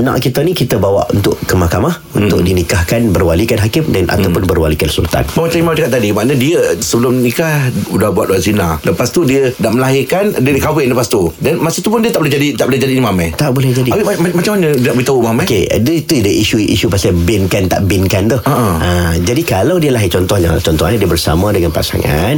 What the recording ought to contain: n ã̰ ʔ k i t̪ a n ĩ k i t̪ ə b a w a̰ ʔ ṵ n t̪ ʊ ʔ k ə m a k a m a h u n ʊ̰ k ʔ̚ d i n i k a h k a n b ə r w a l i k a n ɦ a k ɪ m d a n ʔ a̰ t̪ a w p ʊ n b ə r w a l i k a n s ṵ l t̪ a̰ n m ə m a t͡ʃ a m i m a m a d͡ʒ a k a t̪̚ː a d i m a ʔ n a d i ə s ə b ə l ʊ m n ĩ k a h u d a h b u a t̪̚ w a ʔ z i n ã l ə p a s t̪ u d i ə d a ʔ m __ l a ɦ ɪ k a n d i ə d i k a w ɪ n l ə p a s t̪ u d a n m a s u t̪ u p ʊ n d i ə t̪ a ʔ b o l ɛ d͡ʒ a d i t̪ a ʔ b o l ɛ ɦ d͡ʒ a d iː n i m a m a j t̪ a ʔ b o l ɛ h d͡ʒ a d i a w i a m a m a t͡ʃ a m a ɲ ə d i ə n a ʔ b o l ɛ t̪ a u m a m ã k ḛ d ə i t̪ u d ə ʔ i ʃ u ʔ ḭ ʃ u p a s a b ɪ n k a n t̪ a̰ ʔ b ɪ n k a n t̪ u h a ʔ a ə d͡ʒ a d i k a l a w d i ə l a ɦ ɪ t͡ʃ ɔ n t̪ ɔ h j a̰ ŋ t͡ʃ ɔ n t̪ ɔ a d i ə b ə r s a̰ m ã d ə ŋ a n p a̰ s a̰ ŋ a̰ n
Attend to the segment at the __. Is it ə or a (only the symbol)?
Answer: ə